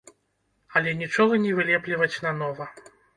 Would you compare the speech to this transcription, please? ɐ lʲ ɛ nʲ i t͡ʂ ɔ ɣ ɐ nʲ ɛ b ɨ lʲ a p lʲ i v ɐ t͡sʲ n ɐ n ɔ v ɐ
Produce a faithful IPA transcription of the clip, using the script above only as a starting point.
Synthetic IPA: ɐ lʲ ɛ nʲ i t͡ʂ ɔ ɣ ɐ nʲ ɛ v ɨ lʲ ɛ p lʲ i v ɐ t͡sʲ n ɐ n ɔ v ɐ